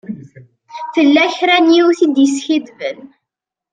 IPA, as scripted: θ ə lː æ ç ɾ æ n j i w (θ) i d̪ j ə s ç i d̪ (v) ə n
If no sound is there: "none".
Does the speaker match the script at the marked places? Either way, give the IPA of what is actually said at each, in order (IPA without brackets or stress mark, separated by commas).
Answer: θ, v